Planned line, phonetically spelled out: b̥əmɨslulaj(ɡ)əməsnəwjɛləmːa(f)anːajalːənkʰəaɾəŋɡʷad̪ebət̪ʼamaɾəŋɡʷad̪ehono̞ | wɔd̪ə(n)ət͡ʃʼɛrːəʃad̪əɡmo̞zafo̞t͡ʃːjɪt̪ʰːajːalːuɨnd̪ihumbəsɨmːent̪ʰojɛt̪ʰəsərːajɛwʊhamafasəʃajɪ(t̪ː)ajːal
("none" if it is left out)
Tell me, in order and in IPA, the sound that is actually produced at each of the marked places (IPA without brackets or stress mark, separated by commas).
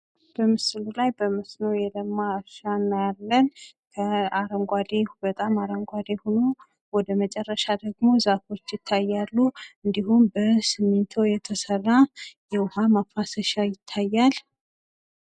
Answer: b, ʃ, m, t̪ʰː